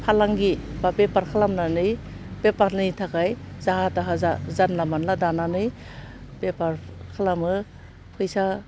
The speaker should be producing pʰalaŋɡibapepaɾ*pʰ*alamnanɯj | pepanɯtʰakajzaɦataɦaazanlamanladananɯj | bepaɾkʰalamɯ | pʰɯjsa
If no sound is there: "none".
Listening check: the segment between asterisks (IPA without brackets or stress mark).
kʰ